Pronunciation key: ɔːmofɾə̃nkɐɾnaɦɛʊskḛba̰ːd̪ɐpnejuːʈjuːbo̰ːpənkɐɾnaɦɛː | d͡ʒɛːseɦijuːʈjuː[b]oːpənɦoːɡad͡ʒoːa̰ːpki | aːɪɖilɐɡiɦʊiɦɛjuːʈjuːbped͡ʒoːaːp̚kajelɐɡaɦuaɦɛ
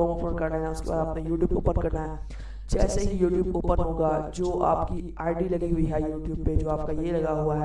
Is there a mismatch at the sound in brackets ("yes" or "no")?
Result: no